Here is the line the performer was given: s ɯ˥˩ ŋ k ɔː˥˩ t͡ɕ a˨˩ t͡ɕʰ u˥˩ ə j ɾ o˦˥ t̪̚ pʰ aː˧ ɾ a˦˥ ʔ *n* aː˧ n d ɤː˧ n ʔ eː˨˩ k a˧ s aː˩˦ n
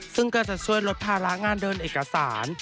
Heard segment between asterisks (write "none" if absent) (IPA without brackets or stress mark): ŋ